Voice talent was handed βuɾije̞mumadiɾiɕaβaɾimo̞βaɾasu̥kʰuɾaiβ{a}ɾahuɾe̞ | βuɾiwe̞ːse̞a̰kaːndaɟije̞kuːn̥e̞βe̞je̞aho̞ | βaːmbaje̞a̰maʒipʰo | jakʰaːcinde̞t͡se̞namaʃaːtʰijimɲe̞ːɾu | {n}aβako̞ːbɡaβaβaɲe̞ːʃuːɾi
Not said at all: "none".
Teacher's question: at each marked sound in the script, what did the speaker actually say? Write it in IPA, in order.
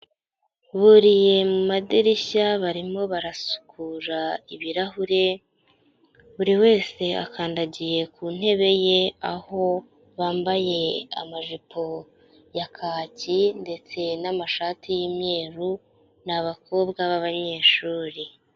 i, n

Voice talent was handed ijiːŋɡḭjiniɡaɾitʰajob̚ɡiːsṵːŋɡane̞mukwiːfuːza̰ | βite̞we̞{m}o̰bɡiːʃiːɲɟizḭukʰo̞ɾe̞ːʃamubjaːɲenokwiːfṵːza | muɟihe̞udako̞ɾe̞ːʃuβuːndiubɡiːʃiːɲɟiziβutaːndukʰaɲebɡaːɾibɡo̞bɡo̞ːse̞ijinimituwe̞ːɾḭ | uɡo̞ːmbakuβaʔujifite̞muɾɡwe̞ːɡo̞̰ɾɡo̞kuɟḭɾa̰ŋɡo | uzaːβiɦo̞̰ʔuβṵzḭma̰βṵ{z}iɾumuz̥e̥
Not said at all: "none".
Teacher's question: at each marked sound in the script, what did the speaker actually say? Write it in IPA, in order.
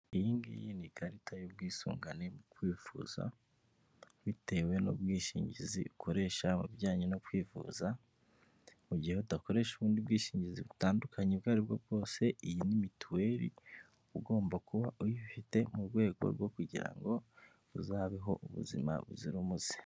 n, z

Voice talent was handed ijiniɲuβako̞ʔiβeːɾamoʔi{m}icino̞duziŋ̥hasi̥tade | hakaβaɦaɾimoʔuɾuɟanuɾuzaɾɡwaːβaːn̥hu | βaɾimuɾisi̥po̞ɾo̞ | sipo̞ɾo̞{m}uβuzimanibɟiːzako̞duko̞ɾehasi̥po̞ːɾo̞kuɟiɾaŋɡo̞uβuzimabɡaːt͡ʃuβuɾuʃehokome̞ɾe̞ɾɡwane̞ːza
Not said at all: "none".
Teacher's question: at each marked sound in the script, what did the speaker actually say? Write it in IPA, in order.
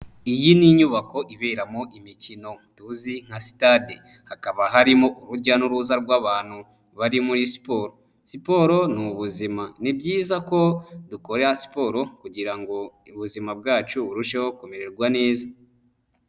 m, n

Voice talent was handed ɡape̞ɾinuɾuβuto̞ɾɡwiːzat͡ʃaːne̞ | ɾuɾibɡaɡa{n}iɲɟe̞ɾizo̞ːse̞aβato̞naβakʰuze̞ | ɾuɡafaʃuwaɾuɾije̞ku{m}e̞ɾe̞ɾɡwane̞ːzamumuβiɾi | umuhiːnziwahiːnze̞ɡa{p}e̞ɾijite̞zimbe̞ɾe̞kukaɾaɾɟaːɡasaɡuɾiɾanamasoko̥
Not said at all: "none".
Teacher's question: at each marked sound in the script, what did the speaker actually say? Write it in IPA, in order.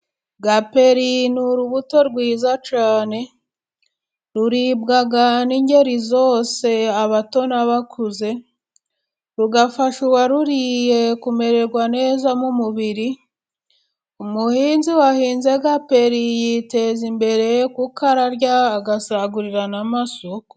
n, m, p

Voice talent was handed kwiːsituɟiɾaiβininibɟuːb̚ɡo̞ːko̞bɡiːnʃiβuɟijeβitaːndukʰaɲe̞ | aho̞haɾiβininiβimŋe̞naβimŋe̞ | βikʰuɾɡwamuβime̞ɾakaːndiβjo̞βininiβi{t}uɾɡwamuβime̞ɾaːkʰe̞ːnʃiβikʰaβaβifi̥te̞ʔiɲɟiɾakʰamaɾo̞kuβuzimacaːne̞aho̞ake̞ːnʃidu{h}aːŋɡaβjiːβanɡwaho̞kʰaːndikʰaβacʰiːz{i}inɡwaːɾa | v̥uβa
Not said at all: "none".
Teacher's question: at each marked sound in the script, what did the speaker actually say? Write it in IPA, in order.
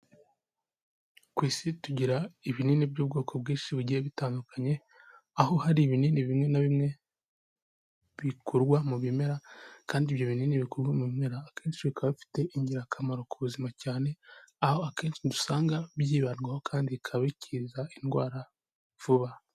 k, s, a

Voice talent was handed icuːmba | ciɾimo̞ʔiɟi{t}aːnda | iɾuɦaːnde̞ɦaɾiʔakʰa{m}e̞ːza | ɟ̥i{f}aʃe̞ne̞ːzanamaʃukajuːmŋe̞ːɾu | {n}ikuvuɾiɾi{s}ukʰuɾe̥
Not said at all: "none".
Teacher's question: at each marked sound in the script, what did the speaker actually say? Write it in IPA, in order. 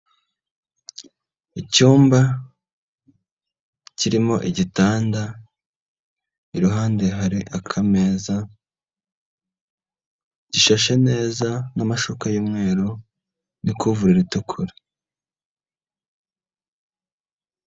t, m, ʃ, n, t

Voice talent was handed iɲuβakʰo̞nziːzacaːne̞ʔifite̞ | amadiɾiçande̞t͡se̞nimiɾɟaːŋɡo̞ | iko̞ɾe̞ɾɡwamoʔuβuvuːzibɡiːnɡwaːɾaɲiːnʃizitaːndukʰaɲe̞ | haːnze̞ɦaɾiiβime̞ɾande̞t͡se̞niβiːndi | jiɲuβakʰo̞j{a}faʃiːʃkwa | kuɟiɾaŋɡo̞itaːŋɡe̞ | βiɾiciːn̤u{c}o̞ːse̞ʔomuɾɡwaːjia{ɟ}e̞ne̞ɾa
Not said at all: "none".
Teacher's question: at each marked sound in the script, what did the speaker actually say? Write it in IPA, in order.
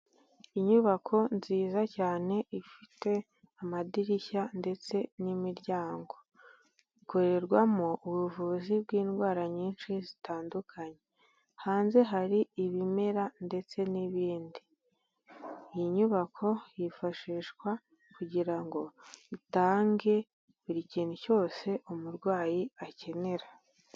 i, c, c

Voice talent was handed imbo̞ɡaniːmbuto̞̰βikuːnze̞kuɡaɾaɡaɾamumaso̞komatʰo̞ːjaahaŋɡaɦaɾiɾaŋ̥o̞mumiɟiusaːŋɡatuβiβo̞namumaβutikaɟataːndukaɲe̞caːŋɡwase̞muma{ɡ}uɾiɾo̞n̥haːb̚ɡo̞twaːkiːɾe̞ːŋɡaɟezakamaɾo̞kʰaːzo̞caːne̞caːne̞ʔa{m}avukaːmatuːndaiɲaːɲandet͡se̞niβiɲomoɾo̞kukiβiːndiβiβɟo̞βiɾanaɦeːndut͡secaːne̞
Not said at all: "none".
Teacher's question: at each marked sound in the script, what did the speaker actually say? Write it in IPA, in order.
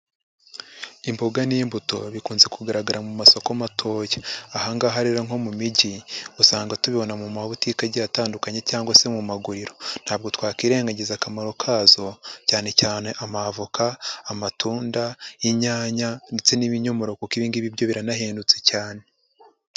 ɡ, m

